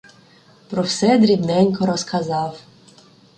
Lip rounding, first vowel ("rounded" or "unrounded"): rounded